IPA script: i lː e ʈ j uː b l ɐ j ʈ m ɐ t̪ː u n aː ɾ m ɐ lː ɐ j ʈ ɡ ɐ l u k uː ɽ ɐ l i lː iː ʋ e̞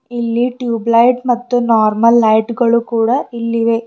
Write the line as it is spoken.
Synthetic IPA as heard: i lː i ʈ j uː b l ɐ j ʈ m ɐ t̪ː u n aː ɾ m ɐ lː ɐ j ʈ ɡ ɐ ɭ u k uː ɽ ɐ i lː i ʋ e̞

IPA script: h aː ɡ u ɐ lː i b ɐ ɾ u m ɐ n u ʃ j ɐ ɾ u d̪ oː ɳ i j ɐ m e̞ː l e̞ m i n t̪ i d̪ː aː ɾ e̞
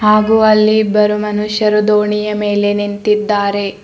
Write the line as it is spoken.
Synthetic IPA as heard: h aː ɡ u ɐ lː i b ɐ ɾ u m ɐ n u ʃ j ɐ ɾ u d̪ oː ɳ i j ɐ m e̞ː l e̞ n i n t̪ i d̪ː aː ɾ e̞

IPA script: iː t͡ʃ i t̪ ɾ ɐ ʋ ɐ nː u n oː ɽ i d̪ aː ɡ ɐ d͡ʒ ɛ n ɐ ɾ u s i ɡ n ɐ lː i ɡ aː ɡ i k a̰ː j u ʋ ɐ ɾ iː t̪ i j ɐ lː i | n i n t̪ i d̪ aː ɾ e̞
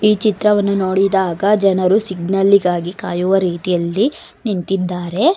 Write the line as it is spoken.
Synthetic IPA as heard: iː t͡ʃ i t̪ ɾ ɐ ʋ ɐ nː u n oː ɽ i d̪ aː ɡ ɐ d͡ʒ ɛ n ɐ ɾ u s i ɡ n ɐ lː i ɡ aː ɡ i k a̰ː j u ʋ ɐ ɾ iː t̪ i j ɐ lː i | n i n t̪ i d̪ː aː ɾ e̞

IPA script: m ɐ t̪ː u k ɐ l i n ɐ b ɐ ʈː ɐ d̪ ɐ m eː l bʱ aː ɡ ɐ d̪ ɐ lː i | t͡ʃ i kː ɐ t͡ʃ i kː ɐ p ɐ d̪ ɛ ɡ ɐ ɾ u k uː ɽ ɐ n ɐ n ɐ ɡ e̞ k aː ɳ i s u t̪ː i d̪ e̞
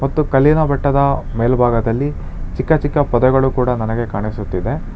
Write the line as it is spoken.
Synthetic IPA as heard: m ɐ t̪ː u k ɐ l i n ɐ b ɐ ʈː ɐ d̪ ɐ m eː l bʱ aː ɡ ɐ d̪ ɐ lː i | t͡ʃ i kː ɐ t͡ʃ i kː ɐ p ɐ d̪ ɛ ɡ ɐ ɭ u k uː ɽ ɐ n ɐ n ɐ ɡ e̞ k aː ɳ i s u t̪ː i d̪ e̞

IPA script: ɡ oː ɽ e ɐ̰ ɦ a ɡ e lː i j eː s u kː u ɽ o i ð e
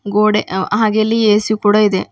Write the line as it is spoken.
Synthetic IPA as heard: ɡ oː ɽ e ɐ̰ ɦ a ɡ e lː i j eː s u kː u ɽ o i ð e

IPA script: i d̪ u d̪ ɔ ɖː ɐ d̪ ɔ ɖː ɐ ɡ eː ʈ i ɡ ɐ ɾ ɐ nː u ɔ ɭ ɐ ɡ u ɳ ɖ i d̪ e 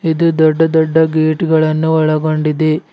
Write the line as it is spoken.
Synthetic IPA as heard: i d̪ u d̪ ɔ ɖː ɐ d̪ ɔ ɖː ɐ ɡ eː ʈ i ɡ ɐ ɭ ɐ nː u ɔ ɭ ɐ ɡ o ɳ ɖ i d̪ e

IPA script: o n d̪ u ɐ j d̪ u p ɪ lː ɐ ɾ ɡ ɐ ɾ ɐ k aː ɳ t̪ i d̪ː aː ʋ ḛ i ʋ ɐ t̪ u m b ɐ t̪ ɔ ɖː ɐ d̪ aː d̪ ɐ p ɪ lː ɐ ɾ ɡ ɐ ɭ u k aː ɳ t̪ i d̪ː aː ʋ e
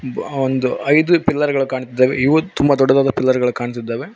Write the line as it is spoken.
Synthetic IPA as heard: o n d̪ u ɐ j d̪ u p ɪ lː ɐ ɾ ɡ ɐ ɭ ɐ k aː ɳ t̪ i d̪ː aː ʋ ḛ i ʋ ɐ t̪ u m b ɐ d̪ ɔ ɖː ɐ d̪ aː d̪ ɐ p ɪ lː ɐ ɾ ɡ ɐ ɭ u k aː ɳ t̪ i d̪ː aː ʋ e

